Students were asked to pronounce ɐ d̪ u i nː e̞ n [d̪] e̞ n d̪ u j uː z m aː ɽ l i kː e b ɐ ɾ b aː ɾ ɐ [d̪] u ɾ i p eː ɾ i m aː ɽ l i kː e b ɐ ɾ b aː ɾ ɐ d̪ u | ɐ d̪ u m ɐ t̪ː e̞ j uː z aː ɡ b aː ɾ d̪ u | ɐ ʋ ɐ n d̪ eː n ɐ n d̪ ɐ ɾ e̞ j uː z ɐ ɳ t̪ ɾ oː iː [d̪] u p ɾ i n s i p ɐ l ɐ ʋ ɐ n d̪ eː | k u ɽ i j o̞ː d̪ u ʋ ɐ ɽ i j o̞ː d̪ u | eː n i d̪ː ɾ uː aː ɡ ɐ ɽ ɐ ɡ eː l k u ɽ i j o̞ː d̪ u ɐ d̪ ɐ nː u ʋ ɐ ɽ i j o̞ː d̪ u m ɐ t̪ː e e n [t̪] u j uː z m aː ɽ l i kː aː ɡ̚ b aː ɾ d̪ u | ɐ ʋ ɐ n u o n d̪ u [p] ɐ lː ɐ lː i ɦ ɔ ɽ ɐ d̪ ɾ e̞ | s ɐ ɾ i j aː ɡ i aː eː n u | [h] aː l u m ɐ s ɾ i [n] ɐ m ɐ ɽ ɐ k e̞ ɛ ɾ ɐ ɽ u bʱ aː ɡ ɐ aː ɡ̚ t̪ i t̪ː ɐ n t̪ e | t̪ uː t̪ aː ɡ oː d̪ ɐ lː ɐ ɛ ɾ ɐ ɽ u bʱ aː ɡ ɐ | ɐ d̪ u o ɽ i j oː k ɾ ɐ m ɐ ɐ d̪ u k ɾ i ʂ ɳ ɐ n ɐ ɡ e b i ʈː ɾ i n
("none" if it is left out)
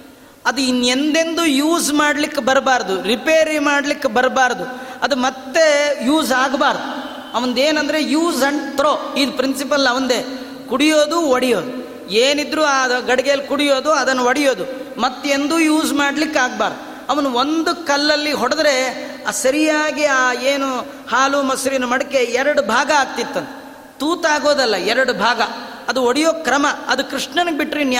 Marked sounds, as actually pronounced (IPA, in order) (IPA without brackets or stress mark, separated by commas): d̪, d̪, d̪, d̪, k, h, n